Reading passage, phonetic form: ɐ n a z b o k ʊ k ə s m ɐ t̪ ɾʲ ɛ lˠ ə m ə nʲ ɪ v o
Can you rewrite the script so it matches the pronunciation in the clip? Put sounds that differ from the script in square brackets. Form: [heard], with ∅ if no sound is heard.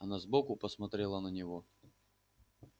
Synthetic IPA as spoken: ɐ n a z b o k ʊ [p] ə s m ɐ t̪ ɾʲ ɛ lˠ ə [n] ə nʲ ɪ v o